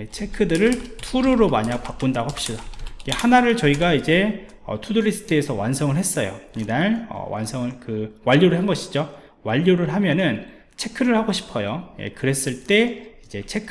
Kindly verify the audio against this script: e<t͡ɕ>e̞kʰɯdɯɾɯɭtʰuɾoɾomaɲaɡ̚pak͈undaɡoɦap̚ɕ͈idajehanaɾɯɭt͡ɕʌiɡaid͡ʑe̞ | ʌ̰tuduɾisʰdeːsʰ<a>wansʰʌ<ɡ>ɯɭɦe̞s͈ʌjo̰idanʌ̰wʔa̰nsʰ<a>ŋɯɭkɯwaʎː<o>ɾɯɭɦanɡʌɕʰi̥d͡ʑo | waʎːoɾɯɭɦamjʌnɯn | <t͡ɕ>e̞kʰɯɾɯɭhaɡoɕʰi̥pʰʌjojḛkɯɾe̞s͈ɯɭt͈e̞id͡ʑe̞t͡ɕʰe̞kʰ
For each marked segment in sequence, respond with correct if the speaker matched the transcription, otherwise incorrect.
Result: incorrect: t͡ɕʰ, incorrect: ʌ, incorrect: ŋ, incorrect: ʌ, correct, incorrect: t͡ɕʰ

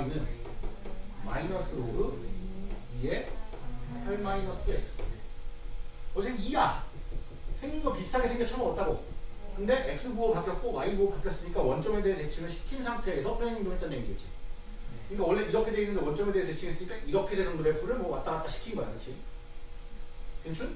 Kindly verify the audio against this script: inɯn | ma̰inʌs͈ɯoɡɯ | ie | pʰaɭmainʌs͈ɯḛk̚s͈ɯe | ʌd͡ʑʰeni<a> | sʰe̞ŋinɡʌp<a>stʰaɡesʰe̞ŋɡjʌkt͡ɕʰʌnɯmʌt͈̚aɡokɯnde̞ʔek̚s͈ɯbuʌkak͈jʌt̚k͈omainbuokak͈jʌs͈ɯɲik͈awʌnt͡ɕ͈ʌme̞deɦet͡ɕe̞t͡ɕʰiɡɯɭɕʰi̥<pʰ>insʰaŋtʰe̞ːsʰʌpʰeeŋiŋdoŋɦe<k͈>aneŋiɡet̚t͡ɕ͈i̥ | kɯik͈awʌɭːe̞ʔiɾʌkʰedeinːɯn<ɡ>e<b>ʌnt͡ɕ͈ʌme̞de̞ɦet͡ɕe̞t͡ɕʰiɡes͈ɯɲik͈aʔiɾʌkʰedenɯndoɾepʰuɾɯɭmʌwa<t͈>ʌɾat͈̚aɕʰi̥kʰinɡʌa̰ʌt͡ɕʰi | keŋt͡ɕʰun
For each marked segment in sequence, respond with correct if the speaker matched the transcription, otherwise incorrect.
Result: correct, incorrect: i, incorrect: kʰ, incorrect: t͈, incorrect: d, incorrect: w, correct

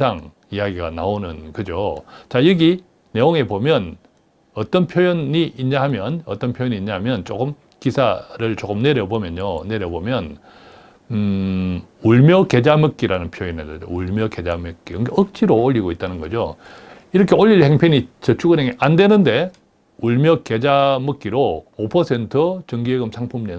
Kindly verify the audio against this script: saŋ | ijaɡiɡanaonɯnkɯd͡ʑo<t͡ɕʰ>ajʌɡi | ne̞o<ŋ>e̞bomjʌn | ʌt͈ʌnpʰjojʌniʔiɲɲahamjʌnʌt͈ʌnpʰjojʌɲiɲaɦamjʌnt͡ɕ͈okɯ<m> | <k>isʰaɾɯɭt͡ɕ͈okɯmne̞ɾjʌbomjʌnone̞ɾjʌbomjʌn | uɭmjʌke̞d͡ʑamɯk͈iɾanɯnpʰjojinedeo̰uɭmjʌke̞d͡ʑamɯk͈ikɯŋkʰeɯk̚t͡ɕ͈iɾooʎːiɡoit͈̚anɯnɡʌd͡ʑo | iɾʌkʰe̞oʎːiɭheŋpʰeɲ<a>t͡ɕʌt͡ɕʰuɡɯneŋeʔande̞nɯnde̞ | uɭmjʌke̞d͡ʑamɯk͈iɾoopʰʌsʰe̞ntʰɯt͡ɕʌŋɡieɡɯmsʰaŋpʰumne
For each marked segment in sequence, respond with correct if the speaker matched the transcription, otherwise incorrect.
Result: incorrect: t͡ɕ, correct, correct, correct, incorrect: i

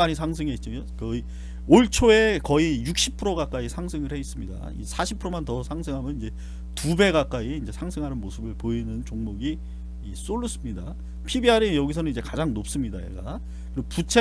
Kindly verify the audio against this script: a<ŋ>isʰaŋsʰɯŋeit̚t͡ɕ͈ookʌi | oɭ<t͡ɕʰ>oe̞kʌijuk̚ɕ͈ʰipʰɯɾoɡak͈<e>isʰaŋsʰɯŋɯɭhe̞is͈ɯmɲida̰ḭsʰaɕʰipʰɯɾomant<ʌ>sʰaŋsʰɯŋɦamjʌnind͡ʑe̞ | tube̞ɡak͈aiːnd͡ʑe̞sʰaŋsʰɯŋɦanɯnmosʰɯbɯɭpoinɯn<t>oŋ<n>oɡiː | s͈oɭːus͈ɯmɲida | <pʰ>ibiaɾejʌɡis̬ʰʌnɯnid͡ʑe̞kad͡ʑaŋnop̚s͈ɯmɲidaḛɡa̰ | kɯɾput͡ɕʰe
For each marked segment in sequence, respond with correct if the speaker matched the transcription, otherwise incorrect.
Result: incorrect: ɲ, correct, incorrect: a, correct, incorrect: t͡ɕ, incorrect: m, correct

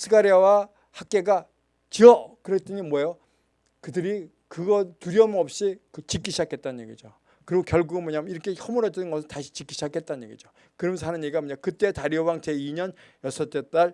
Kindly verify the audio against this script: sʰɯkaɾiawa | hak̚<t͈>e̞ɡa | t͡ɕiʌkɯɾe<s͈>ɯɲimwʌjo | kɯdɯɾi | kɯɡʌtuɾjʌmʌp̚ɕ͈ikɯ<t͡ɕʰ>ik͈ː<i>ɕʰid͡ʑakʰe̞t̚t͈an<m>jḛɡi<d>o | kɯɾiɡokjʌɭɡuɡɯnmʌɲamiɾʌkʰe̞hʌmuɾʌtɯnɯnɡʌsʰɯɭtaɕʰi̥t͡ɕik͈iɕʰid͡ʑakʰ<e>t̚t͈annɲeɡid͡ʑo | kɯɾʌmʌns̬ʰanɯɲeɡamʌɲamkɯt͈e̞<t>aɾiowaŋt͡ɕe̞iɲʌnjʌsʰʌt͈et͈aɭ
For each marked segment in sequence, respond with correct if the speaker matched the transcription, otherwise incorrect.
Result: incorrect: k͈, incorrect: t͈, incorrect: t͡ɕ, correct, incorrect: ɲ, incorrect: d͡ʑ, correct, correct

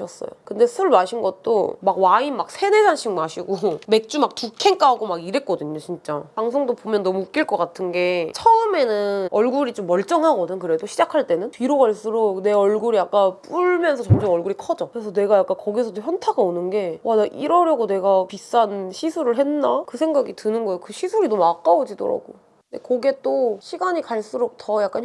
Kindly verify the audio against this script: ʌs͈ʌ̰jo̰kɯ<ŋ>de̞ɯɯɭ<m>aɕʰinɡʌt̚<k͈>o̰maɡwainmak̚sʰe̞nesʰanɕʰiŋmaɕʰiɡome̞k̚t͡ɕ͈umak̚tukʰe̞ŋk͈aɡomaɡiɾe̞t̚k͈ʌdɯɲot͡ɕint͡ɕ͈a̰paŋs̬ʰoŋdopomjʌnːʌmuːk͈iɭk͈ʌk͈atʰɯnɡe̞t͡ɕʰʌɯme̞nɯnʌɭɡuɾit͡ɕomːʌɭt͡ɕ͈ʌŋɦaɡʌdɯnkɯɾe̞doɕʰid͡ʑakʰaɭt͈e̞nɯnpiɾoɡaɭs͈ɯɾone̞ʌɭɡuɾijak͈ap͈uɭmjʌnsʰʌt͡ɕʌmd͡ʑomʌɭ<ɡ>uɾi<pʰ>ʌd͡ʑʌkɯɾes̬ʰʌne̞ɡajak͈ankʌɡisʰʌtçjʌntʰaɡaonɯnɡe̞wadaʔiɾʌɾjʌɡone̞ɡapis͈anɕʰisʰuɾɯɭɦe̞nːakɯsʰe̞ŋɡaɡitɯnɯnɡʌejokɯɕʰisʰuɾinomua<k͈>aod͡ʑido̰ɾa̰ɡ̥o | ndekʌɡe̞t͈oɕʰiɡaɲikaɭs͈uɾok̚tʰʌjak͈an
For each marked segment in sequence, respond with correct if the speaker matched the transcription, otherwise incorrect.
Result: incorrect: n, correct, incorrect: t͈, correct, incorrect: kʰ, correct

